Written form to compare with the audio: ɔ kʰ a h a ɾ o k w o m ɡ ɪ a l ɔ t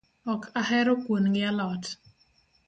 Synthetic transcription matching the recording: ɔ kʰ a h ɛ ɾ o k w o n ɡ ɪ a l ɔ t